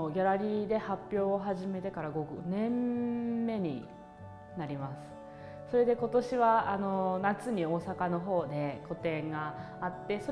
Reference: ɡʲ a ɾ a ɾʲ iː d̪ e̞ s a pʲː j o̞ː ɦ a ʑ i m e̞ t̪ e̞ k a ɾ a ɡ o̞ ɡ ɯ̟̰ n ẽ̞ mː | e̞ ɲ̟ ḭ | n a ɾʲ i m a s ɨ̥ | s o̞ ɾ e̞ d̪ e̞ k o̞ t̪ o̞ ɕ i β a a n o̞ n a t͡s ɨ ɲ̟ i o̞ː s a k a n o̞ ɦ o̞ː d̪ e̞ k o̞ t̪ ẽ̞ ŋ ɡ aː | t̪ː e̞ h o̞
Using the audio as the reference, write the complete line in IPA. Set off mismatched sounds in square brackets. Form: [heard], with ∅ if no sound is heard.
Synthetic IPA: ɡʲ a ɾ a ɾʲ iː d̪ e̞ [h] a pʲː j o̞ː ɦ a ʑ i m e̞ t̪ e̞ k a ɾ a ɡ o̞ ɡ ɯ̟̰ n ẽ̞ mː | e̞ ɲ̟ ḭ | n a ɾʲ i m a s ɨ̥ | s o̞ ɾ e̞ d̪ e̞ k o̞ t̪ o̞ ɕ i β a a n o̞ n a t͡s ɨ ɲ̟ i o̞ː s a k a n o̞ ɦ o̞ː d̪ e̞ k o̞ t̪ ẽ̞ ŋ ɡ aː | t̪ː e̞ [s] o̞